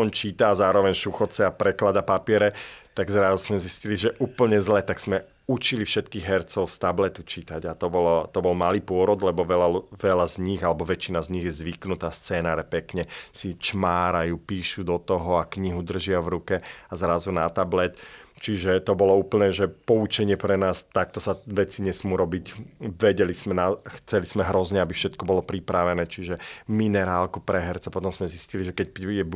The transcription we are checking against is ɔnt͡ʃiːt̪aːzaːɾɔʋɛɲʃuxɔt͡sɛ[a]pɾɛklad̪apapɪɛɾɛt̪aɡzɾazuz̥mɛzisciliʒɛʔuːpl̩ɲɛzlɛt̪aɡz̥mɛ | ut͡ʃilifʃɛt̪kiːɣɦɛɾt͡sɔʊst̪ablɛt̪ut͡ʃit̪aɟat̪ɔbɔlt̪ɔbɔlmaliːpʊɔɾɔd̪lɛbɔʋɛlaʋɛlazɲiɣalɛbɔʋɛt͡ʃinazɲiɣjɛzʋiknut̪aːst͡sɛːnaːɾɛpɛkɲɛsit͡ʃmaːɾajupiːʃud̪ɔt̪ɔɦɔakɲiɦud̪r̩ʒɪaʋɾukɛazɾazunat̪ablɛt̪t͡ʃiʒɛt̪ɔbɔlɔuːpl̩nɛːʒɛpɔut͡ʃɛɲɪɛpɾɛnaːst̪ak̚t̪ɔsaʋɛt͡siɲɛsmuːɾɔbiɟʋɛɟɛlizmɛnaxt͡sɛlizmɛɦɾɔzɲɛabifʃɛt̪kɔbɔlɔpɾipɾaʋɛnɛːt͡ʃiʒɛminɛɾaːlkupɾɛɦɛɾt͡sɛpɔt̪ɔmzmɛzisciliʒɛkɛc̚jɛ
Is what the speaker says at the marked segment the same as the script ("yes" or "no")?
yes